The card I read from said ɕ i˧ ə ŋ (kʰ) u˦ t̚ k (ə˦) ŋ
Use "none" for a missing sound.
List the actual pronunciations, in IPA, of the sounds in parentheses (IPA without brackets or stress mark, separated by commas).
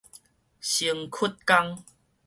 kʰ, a˦